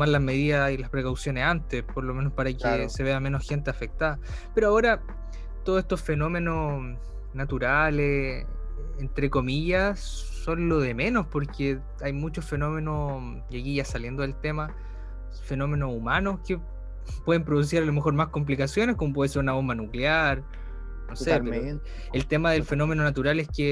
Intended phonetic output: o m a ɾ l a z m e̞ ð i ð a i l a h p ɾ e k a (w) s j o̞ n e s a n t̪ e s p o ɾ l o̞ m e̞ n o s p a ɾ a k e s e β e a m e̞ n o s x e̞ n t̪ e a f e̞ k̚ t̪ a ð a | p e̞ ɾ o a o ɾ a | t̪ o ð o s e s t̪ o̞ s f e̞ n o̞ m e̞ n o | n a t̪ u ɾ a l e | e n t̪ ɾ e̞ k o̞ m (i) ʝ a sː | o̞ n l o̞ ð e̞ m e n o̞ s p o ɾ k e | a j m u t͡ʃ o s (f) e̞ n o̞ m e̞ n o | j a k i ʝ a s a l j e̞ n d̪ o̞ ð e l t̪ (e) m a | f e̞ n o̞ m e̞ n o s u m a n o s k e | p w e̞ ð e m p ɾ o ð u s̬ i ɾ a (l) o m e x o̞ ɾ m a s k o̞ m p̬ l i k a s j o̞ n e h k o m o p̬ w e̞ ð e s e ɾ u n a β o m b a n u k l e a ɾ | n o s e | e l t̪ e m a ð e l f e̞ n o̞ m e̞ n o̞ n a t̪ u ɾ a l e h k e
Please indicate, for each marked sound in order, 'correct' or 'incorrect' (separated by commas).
correct, correct, correct, correct, correct